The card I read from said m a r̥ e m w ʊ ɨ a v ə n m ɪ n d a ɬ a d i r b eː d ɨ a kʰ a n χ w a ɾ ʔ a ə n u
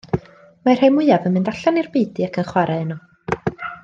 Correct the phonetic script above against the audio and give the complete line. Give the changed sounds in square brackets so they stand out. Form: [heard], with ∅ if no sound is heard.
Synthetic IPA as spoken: m a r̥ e m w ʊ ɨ a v ə n m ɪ n d a ɬ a [n] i r b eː d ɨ a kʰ [ə] n χ w a ɾ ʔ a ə n [ɔ]